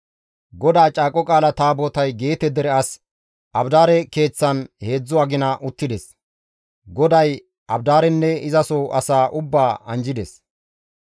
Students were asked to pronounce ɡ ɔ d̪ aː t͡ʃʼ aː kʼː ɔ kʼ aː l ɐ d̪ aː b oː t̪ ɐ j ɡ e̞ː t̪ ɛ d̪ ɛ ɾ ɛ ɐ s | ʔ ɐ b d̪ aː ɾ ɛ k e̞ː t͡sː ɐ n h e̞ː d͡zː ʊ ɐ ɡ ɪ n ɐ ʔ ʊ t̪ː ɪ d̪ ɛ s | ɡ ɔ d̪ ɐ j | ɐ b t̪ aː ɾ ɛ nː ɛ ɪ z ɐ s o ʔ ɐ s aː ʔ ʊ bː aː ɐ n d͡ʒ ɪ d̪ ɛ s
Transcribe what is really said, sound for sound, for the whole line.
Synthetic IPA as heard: ɡ ɔ d̪ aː t͡ʃʼ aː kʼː ɔ kʼ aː l ɐ t̪ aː b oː t̪ ɐ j ɡ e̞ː t̪ ɛ d̪ ɛ ɾ ɛ ɐ s | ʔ ɐ b d̪ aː ɾ ɛ k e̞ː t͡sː ɐ n h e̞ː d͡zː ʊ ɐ ɡ ɪ n ɐ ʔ ʊ t̪ː ɪ d̪ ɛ s | ɡ ɔ d̪ ɐ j | ɐ b d̪ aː ɾ ɛ nː ɛ ɪ z ɐ s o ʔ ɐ s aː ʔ ʊ bː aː ɐ n d͡ʒ ɪ d̪ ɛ s

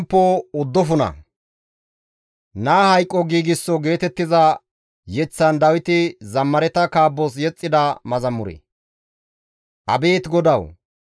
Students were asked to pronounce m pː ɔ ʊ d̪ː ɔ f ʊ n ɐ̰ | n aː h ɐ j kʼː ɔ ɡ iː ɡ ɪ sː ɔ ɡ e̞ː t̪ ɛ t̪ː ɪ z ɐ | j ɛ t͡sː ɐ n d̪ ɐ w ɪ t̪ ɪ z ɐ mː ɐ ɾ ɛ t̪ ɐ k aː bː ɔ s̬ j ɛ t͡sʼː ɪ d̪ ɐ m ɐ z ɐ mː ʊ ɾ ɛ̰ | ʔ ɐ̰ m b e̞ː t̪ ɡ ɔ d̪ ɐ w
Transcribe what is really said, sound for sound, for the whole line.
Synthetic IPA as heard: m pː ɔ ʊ d̪ː ɔ f ʊ n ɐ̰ | n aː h ɐ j kʼː ɔ ɡ iː ɡ ɪ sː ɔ ɡ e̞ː t̪ ɛ t̪ː ɪ z ɐ | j ɛ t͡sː ɐ n d̪ ɐ w ɪ t̪ ɪ z ɐ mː ɐ ɾ ɛ t̪ ɐ k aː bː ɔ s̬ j ɛ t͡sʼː ɪ d̪ ɐ m ɐ z ɐ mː ʊ ɾ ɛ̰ | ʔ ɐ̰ b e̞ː t̪ ɡ ɔ d̪ ɐ w

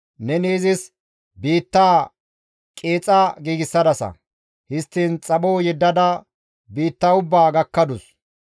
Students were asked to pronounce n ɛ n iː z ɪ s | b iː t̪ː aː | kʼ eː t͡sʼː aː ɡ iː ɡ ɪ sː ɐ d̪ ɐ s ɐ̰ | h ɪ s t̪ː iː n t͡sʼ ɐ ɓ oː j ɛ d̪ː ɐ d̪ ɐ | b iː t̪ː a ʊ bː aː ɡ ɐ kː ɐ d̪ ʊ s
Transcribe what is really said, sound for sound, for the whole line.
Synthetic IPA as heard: n ɛ n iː z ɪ s | b iː t̪ː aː | kʼ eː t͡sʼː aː ɡ iː ɡ ɪ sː ɐ d̪ ɐ s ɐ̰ | h ɪ s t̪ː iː n t͡sʼ ɐ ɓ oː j ɛ d̪ː ɐ d̪ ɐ | b iː t̪ː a ʊ bː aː ɡ ɐ kː ɐ d̪ ʊ s

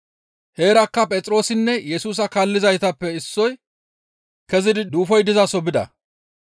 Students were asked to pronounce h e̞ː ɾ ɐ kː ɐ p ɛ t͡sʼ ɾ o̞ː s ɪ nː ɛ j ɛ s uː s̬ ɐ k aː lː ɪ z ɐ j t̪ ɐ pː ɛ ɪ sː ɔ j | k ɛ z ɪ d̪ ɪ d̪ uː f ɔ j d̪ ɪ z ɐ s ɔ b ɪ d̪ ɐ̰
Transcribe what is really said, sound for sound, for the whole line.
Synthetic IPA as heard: h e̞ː ɾ ɐ kː ɐ pʼ ɛ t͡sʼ ɾ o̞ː s ɪ nː ɛ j ɛ s uː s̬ ɐ k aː lː ɪ z ɐ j t̪ ɐ pː ɛ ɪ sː ɔ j | k ɛ z ɪ d̪ ɪ d̪ uː f ɔ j d̪ ɪ z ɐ s ɔ b ɪ d̪ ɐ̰

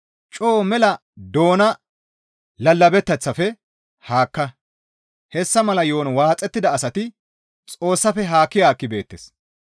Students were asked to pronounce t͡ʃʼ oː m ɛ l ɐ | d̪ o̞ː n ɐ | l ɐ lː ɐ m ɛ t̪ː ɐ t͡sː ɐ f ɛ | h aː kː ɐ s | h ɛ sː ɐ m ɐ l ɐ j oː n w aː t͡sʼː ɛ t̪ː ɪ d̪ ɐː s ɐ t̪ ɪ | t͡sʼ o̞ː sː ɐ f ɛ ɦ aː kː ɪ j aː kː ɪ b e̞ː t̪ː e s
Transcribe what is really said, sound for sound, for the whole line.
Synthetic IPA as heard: t͡ʃʼ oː m ɛ l ɐ | d̪ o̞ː n ɐ | l ɐ lː ɐ b ɛ t̪ː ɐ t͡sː ɐ f ɛ | h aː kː ɐ | h ɛ sː ɐ m ɐ l ɐ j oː n w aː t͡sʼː ɛ t̪ː ɪ d̪ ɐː s ɐ t̪ ɪ | t͡sʼ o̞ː sː ɐ f ɛ ɦ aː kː ɪ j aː kː ɪ b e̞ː t̪ː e s

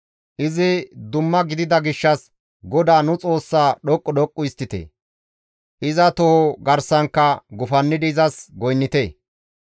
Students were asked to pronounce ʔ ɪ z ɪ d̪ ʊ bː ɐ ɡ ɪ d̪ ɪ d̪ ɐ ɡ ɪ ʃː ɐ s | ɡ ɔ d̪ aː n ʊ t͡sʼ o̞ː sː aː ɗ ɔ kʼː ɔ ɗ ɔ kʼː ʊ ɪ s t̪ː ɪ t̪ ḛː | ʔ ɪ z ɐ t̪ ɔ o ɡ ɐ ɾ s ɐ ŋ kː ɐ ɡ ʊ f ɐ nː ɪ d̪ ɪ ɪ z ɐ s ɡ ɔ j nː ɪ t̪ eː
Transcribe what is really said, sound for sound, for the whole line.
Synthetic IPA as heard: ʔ ɪ z ɪ d̪ ʊ mː ɐ ɡ ɪ d̪ ɪ d̪ ɐ ɡ ɪ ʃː ɐ s | ɡ ɔ d̪ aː n ʊ t͡sʼ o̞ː sː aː ɗ ɔ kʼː ɔ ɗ ɔ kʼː ʊ ɪ s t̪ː ɪ t̪ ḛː | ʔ ɪ z ɐ t̪ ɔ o ɡ ɐ ɾ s ɐ ŋ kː ɐ ɡ ʊ f ɐ nː ɪ d̪ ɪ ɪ z ɐ s ɡ ɔ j nː ɪ t̪ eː

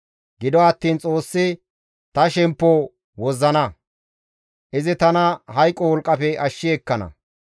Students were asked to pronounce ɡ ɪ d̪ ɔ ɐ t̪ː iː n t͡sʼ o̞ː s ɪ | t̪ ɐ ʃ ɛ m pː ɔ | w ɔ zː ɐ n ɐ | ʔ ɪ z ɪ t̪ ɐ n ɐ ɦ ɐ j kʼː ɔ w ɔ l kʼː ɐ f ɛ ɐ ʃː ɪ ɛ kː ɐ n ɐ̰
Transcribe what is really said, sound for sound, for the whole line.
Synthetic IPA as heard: ɡ ɪ d̪ ɔ ɐ t̪ː iː n t͡sʼ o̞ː sː ɪ | t̪ ɐ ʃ ɛ m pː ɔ | w ɔ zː ɐ n ɐ | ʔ ɪ z ɪ t̪ ɐ n ɐ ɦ ɐ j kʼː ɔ w ɔ l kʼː ɐ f ɛ ɐ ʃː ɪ ɛ kː ɐ n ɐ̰

